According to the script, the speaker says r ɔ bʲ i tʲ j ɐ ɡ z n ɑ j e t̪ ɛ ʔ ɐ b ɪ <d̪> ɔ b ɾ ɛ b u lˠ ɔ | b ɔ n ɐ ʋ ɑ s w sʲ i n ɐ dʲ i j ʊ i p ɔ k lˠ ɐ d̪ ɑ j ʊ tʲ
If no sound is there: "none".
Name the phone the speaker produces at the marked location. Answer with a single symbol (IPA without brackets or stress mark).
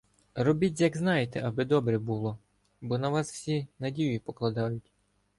d̪